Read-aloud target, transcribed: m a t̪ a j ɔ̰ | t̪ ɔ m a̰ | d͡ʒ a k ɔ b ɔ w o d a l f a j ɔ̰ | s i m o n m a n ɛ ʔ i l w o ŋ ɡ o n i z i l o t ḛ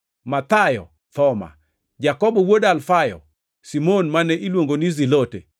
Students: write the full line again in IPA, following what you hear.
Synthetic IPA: m a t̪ a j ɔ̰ | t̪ ɔ m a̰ | d͡ʒ a k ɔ b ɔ w o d a l f a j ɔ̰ | s i m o n m a n ɛ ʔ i l w o ŋ ɡ o n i z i l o t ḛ